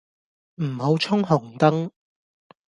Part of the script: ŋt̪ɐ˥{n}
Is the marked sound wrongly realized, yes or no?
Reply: yes